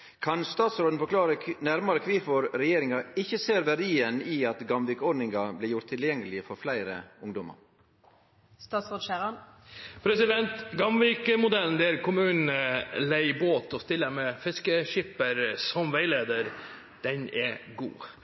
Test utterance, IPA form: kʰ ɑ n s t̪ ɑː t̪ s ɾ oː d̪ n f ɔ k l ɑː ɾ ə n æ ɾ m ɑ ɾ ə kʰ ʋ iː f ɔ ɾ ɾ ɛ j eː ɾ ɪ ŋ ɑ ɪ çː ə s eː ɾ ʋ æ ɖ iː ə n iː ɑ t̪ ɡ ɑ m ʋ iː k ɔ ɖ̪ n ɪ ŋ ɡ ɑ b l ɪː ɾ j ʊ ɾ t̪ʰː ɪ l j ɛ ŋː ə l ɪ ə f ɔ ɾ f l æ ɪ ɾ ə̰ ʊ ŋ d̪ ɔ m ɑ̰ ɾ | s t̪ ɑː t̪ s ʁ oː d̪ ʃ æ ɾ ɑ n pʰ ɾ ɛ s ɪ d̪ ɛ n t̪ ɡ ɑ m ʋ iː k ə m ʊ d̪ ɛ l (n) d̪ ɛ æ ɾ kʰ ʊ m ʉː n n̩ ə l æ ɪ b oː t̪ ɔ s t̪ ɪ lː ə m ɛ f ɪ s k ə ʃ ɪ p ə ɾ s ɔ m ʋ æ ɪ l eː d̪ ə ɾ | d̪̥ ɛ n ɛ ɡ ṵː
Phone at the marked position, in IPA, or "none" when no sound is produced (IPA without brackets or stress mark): n